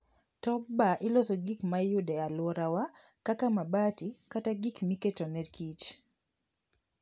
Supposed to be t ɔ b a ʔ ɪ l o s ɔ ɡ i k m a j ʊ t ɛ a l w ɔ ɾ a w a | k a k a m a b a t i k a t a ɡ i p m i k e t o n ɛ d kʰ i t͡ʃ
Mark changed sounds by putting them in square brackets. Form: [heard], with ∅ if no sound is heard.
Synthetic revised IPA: t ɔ b a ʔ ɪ l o s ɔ ɡ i k m a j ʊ [d] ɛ a l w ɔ ɾ a w a | k a k a m a b a t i k a t a ɡ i [k] m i k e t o n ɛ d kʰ i t͡ʃ